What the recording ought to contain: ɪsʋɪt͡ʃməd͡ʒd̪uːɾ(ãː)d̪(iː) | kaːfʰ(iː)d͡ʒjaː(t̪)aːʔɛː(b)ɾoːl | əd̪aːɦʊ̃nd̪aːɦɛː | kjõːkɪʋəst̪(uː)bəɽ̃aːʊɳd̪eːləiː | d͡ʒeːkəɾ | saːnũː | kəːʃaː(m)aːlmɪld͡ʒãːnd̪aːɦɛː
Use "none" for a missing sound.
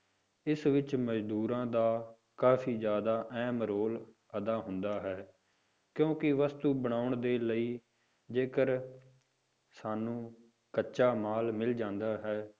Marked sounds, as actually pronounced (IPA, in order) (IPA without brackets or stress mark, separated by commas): ãː, aː, iː, d̪, m, uː, m